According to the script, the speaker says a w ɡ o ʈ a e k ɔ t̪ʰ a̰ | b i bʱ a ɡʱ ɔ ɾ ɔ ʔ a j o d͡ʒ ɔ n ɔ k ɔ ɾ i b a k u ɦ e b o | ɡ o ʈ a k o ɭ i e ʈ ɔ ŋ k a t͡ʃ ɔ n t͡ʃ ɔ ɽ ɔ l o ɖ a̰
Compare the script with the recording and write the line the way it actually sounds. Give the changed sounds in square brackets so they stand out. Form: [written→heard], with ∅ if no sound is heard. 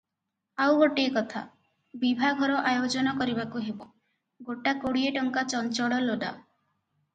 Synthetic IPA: a w ɡ o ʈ [a→i] e k ɔ t̪ʰ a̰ | b i bʱ a ɡʱ ɔ ɾ ɔ ʔ a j o d͡ʒ ɔ n ɔ k ɔ ɾ i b a k u ɦ e b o | ɡ o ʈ a k o [ɭ→ɽ] i e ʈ ɔ ŋ k a t͡ʃ ɔ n t͡ʃ ɔ ɽ ɔ l o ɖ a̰